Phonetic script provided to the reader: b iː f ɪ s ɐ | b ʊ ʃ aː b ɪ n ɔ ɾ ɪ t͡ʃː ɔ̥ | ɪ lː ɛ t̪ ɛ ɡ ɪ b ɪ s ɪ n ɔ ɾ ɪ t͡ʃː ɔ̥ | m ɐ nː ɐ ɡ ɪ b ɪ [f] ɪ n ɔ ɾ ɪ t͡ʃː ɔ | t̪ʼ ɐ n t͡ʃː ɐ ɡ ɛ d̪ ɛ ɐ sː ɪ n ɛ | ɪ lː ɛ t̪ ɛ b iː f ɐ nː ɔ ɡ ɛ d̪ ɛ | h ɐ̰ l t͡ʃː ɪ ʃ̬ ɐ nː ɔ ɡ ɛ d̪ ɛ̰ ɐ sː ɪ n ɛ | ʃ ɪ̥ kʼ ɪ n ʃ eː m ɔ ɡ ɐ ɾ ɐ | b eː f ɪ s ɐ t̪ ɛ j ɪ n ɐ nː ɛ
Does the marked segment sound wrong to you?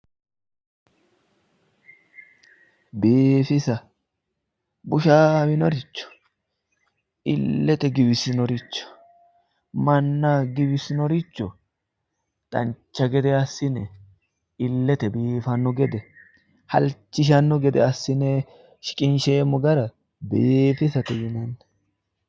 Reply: yes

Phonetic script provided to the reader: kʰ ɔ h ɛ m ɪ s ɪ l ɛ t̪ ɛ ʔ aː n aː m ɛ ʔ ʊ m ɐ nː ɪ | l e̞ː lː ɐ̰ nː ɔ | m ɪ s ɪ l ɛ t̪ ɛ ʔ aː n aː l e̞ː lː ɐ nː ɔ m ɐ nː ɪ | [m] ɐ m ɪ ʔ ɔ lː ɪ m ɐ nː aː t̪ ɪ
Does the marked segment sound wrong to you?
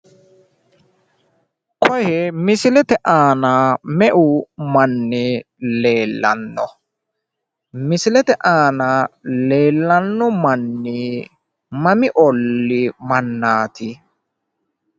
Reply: no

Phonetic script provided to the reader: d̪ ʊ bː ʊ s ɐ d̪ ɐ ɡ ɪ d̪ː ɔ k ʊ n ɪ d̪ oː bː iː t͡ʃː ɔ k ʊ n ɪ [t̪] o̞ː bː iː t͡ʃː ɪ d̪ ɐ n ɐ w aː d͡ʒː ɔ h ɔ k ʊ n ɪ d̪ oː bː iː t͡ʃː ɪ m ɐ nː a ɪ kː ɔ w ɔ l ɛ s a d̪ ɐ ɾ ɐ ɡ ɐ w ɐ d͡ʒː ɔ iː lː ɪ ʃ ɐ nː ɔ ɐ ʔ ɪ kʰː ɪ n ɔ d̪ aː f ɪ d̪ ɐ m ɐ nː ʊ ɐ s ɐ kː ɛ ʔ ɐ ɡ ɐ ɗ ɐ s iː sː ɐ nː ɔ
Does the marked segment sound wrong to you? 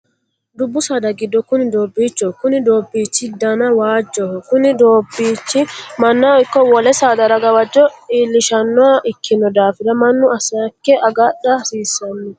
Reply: yes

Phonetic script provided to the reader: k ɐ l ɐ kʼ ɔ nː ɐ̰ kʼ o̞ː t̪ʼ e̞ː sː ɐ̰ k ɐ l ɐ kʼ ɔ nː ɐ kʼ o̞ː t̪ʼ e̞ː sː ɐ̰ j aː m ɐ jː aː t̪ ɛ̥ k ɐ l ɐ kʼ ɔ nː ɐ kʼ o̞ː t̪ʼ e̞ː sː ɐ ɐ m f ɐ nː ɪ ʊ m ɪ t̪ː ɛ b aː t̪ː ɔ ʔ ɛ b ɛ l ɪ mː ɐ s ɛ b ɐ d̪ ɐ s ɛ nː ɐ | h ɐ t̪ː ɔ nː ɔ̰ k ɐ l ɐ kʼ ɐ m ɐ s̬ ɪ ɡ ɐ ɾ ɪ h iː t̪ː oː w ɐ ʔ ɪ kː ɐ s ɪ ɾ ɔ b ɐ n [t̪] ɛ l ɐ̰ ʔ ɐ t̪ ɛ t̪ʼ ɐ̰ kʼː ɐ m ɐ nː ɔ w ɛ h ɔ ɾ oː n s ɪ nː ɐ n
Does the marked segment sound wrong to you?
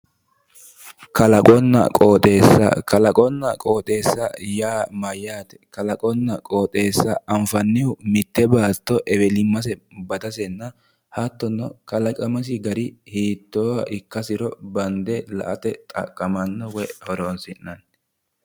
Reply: yes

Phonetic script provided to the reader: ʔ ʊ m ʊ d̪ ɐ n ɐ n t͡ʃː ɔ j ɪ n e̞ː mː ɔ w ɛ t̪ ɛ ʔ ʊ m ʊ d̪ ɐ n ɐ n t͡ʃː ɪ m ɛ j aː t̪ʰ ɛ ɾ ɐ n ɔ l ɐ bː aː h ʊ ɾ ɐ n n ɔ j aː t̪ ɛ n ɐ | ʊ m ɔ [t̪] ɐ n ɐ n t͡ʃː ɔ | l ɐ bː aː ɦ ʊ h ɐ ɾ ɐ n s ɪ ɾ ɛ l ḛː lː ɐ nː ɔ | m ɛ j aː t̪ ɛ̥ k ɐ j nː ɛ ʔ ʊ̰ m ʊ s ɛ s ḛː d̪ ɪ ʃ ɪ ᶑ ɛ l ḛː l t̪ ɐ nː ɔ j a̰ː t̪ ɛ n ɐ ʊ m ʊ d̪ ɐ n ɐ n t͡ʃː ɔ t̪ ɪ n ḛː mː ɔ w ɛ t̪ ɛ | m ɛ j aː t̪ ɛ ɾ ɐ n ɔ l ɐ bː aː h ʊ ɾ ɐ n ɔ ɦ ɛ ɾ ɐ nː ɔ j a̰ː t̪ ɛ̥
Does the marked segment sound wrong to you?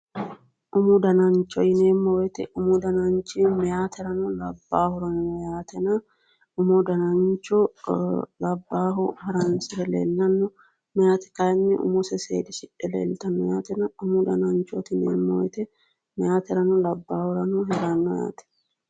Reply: yes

